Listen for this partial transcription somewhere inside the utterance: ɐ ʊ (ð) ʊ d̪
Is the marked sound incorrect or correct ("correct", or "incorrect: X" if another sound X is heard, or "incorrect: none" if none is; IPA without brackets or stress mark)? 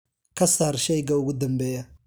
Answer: incorrect: ɣ